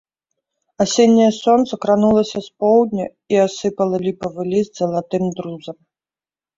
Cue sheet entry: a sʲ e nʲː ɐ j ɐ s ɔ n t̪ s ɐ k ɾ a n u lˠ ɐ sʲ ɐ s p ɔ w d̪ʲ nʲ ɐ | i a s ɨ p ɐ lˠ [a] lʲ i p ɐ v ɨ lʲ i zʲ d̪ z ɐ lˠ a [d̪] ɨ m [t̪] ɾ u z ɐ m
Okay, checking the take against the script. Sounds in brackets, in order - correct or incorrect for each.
incorrect, incorrect, incorrect

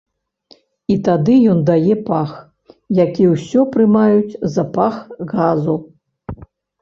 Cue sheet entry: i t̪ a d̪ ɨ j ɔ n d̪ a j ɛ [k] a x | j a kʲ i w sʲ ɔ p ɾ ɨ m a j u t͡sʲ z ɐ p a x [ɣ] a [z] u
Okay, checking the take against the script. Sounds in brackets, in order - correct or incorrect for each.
incorrect, correct, correct

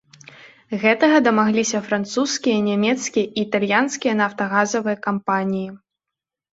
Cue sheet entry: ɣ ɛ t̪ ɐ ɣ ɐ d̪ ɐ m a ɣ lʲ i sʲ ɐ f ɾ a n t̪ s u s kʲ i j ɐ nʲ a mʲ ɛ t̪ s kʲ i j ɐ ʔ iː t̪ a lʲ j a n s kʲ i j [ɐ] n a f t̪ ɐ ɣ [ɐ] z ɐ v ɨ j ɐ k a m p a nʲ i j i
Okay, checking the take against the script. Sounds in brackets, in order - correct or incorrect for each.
correct, incorrect

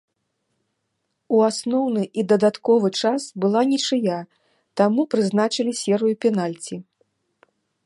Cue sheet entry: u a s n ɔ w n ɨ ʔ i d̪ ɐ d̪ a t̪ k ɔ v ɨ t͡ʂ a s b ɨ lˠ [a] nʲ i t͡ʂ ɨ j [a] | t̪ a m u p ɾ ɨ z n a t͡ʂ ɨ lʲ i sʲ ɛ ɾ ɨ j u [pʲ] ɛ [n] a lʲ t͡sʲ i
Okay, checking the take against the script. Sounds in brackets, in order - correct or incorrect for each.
correct, correct, correct, correct

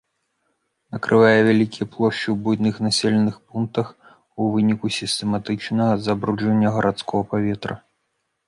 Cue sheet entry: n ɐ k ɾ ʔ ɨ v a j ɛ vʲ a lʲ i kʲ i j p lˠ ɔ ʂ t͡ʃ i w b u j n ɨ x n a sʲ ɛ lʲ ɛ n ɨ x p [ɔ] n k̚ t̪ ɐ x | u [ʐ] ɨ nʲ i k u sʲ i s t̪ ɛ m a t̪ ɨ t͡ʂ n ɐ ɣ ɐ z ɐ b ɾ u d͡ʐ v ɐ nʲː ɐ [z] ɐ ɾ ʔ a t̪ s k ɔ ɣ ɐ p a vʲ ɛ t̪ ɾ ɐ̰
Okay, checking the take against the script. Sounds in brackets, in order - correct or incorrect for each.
incorrect, incorrect, incorrect

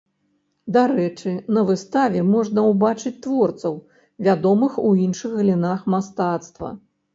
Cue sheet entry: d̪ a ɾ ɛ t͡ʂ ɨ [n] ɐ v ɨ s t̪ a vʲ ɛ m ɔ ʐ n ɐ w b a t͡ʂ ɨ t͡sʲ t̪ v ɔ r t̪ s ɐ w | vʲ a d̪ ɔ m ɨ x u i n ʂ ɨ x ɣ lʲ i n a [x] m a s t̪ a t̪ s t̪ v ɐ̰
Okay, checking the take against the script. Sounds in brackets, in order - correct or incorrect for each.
correct, correct

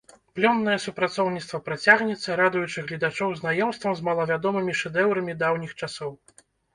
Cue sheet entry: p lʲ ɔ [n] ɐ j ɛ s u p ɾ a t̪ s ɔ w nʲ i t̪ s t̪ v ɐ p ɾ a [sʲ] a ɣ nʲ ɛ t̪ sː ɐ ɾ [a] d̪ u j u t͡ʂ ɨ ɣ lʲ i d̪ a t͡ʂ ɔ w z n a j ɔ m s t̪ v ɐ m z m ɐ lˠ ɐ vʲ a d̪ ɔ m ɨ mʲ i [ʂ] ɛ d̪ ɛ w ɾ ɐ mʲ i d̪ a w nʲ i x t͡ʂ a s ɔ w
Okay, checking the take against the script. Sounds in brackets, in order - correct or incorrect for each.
incorrect, incorrect, correct, correct

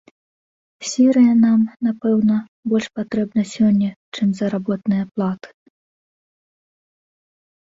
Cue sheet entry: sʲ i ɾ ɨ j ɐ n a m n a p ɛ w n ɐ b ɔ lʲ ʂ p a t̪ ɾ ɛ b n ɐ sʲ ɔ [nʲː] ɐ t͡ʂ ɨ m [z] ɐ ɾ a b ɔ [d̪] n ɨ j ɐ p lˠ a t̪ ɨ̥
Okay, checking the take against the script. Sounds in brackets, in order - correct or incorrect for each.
correct, correct, incorrect

